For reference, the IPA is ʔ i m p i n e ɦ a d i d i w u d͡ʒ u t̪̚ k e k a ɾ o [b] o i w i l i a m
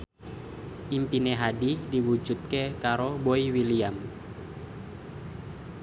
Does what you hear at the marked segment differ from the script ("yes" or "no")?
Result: no